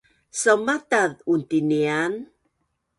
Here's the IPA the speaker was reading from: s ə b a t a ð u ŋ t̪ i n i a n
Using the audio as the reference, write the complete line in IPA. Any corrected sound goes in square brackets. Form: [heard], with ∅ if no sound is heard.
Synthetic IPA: s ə [m] a t a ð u [n] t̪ i n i a n